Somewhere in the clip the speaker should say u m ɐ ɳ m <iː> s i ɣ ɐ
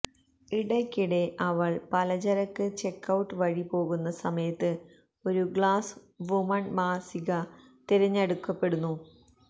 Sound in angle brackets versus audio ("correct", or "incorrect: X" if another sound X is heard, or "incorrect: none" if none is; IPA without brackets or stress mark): incorrect: aː